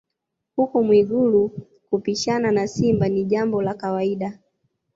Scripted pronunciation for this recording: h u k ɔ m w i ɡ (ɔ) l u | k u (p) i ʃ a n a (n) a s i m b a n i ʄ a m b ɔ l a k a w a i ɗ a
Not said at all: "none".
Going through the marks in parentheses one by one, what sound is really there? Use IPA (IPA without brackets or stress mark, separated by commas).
u, p, n